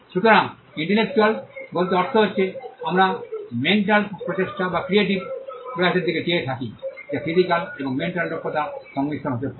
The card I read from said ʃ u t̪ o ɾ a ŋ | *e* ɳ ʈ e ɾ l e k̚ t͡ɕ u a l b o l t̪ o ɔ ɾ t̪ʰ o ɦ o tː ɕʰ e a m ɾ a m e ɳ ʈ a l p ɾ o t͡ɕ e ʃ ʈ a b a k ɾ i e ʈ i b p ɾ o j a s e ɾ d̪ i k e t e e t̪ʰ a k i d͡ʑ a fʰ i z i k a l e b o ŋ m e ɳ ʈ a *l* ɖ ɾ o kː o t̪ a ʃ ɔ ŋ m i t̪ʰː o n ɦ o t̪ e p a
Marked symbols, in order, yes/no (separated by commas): no, yes